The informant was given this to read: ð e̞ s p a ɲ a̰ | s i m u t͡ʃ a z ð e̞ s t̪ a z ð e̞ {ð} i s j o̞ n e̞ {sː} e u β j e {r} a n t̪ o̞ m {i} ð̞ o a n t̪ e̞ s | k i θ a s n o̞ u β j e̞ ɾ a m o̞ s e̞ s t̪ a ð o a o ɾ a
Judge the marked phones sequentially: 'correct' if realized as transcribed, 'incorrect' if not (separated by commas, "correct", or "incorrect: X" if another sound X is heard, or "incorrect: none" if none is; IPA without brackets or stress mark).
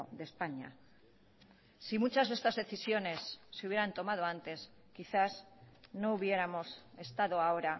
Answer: incorrect: θ, correct, incorrect: ɾ, incorrect: a